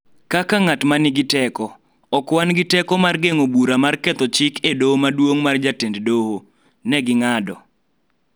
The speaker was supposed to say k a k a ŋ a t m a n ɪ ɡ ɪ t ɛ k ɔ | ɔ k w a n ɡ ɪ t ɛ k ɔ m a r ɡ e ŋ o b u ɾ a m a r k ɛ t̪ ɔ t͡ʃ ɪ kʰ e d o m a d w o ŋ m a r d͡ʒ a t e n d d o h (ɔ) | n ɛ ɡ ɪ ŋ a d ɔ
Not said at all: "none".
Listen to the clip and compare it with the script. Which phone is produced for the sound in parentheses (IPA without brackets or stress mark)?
o